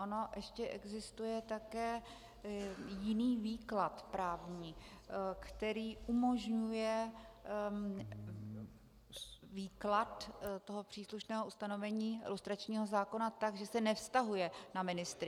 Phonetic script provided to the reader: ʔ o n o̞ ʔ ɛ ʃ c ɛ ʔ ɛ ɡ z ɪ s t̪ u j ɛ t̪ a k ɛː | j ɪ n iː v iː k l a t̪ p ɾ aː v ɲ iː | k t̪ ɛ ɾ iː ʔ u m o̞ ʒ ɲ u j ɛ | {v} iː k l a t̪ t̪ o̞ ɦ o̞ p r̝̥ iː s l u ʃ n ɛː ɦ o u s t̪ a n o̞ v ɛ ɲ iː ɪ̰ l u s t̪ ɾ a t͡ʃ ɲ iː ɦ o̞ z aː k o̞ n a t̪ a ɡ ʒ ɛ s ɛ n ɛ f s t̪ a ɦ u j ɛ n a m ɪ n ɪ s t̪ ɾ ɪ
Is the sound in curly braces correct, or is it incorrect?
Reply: correct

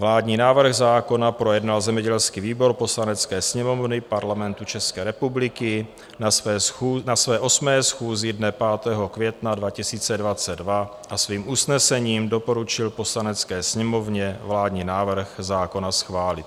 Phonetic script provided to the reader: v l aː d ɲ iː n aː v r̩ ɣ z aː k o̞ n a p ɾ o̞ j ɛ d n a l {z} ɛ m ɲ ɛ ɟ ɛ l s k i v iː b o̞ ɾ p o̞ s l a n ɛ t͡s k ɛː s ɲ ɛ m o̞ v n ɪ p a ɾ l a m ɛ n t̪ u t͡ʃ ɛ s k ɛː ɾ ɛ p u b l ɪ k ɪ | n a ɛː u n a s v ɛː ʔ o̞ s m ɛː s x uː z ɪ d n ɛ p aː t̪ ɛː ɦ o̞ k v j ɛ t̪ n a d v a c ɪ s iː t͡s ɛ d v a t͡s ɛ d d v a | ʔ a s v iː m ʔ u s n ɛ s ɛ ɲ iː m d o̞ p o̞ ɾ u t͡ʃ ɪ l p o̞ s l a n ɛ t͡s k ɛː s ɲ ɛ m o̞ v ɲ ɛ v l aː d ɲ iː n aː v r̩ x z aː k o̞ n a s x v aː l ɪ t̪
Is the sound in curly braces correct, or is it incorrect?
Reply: correct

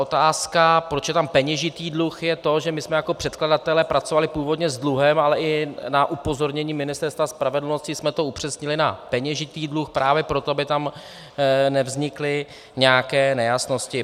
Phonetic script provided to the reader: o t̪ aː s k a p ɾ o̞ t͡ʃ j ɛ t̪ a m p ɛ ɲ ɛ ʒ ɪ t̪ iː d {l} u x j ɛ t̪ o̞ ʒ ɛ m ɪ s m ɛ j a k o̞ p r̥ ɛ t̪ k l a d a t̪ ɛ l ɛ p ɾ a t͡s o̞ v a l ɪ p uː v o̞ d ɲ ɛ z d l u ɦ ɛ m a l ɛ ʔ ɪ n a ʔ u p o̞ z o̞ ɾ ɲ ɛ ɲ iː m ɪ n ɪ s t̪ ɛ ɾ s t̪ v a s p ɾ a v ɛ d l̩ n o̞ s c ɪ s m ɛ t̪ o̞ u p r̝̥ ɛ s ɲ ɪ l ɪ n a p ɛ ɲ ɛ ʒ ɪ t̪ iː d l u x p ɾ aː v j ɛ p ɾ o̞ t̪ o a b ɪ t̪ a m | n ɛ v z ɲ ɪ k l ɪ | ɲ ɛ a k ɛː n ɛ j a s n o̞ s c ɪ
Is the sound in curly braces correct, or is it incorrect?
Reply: correct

